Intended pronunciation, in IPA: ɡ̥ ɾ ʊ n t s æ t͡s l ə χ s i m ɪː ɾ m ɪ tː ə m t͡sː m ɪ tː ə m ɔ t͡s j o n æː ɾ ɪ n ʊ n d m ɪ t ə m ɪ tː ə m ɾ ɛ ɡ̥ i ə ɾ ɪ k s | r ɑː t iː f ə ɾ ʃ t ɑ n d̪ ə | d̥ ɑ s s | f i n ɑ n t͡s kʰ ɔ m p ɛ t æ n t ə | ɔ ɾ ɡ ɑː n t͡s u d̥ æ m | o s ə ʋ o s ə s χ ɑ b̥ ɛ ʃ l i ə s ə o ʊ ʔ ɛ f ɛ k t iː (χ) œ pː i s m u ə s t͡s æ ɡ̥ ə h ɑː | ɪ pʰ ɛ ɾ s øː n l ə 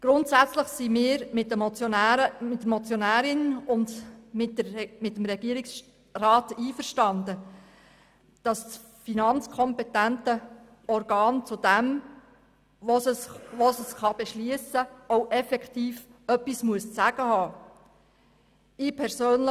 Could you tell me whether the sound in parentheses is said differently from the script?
yes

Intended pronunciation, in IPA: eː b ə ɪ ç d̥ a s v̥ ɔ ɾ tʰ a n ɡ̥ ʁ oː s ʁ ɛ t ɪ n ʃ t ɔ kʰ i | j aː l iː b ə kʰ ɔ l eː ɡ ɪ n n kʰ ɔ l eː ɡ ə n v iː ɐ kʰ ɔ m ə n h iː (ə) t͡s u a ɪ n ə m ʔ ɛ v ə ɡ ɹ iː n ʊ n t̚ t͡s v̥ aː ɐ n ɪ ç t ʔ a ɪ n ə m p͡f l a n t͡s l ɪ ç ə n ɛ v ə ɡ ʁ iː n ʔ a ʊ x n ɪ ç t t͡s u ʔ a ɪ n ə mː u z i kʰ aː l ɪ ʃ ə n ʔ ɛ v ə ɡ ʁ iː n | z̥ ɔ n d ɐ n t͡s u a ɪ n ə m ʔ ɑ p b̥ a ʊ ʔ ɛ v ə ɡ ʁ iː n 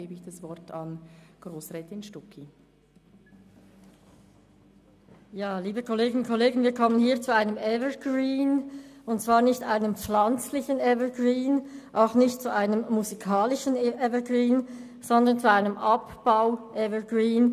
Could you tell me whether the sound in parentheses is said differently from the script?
yes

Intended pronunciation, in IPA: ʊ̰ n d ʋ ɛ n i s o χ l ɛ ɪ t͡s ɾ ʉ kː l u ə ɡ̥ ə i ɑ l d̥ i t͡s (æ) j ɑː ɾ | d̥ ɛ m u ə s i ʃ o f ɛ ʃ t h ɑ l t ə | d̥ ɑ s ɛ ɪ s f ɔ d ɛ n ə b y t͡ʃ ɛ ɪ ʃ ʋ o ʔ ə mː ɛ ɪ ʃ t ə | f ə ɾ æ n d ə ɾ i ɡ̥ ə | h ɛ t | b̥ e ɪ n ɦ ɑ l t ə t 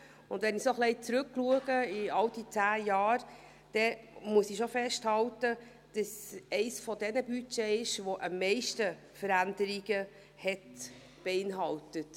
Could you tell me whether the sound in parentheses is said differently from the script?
yes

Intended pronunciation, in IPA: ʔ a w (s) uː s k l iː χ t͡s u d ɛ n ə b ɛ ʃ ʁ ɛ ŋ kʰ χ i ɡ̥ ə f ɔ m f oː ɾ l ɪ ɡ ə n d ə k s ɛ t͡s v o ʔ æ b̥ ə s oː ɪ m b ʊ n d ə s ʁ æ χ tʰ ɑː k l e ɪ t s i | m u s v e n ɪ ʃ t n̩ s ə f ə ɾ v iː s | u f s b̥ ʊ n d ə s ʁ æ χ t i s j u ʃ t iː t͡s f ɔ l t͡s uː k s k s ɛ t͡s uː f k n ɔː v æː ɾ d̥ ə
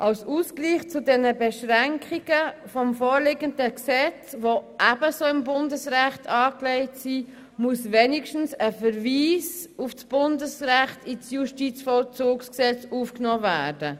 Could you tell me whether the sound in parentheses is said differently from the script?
no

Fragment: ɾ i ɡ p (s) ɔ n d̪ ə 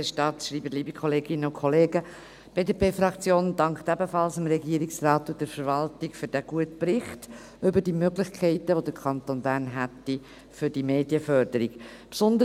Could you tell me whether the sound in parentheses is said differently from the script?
no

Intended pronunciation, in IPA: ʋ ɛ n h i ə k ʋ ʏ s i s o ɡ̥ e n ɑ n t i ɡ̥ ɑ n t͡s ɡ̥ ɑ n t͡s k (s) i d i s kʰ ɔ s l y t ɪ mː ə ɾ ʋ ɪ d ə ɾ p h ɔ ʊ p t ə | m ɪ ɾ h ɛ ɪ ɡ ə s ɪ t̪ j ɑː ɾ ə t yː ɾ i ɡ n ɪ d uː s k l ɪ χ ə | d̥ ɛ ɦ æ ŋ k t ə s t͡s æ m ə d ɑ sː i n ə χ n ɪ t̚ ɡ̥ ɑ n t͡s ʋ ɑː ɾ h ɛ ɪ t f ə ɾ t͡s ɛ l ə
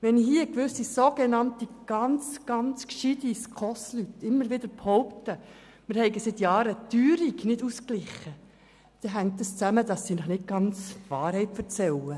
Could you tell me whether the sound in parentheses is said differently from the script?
yes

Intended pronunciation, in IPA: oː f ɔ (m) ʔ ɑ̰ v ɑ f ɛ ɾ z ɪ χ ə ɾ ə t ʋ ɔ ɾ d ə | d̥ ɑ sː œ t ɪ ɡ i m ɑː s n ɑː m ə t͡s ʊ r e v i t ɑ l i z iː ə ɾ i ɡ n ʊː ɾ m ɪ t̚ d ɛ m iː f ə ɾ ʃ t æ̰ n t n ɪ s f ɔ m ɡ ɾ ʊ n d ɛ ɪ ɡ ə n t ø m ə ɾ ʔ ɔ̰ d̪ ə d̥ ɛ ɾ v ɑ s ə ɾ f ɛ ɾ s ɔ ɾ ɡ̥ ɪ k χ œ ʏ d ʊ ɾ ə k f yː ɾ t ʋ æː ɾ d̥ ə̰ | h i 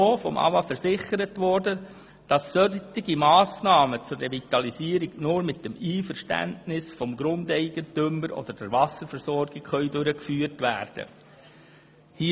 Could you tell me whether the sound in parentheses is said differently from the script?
no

